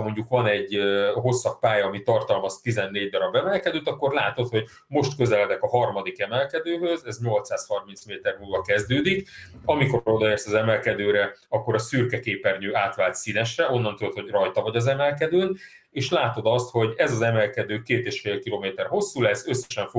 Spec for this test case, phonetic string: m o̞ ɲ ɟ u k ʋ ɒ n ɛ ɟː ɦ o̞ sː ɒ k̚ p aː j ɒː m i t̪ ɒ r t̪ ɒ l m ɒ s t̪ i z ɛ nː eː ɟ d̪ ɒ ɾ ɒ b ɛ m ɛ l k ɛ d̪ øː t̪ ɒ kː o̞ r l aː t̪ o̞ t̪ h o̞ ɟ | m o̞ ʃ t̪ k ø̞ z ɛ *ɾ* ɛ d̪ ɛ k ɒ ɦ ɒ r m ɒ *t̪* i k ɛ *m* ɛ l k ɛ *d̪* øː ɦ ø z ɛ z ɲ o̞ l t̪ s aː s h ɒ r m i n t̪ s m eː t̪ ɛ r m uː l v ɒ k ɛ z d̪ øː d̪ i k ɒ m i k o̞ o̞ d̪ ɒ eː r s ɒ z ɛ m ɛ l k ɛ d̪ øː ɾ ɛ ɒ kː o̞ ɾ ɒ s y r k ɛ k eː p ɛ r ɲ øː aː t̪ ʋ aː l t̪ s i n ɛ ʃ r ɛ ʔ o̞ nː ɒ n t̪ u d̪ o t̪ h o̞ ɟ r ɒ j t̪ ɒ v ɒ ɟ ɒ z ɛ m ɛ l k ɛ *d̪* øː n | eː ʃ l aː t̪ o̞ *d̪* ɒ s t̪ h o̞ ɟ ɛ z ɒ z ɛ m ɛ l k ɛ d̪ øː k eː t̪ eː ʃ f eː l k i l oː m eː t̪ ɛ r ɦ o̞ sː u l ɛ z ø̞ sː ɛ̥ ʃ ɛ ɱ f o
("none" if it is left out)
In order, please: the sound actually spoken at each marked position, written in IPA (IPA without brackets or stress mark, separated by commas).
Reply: l, d̪, m, d̪, d̪, d̪